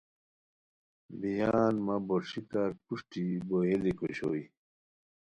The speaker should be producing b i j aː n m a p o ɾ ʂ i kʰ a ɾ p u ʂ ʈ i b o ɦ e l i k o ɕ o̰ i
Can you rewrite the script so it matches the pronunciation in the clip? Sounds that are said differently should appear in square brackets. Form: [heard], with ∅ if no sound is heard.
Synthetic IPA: b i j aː n m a [b] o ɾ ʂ i [k] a ɾ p u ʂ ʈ i b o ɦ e l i k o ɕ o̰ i